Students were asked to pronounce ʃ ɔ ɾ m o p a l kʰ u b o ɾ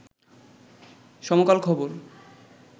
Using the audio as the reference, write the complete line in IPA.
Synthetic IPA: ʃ ɔ m o k a l kʰ ɔ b o ɾ